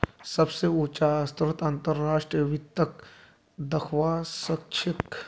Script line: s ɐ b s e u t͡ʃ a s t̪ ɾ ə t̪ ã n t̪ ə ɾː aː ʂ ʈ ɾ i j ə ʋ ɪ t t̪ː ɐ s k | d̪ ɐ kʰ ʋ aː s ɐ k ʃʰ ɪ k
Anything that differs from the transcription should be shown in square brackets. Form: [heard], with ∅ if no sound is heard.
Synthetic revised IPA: s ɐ b s e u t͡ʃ a s t̪ ɾ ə t̪ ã n t̪ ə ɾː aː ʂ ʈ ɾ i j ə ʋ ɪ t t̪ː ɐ [∅] k | d̪ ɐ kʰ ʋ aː s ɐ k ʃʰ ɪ k